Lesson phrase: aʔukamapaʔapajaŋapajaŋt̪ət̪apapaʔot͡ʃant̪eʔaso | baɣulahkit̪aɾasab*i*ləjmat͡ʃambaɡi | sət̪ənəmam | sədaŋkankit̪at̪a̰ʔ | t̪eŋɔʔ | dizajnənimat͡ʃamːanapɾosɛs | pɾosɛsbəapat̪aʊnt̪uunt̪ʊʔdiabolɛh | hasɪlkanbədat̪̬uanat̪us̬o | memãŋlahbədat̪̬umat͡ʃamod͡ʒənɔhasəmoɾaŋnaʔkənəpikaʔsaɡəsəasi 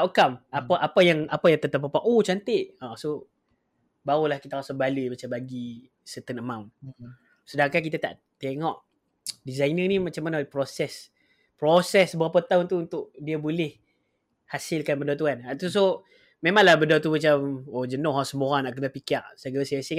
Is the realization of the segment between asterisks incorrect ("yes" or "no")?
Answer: yes